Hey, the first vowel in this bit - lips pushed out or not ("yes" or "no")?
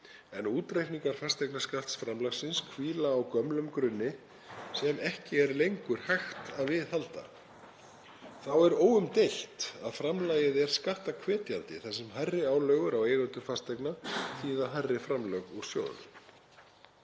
no